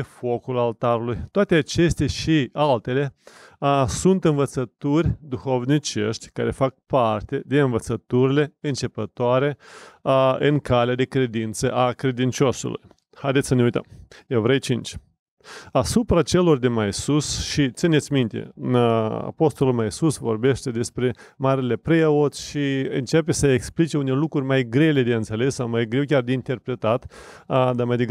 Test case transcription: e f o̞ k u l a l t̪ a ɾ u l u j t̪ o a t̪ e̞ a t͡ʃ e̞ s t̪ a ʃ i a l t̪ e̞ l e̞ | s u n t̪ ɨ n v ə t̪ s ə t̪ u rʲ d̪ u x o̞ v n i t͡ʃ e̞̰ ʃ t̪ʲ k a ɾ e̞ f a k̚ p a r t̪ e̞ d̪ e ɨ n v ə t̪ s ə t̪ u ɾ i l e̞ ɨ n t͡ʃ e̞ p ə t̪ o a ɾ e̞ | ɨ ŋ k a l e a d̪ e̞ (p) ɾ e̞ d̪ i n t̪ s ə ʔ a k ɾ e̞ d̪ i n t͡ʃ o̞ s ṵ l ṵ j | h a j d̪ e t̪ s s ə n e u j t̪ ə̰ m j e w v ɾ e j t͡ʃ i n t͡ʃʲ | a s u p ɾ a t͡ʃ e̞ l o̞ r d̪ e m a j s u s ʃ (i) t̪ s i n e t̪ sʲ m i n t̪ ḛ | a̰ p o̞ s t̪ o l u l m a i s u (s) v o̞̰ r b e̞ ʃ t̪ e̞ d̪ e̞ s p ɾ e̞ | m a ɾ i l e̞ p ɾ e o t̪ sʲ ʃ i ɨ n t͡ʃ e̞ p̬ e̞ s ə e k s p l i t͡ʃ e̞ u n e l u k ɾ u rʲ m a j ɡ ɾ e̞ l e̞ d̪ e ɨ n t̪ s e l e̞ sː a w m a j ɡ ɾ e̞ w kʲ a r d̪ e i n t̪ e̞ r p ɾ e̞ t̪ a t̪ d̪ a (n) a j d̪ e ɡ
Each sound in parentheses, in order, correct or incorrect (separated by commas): incorrect, correct, correct, incorrect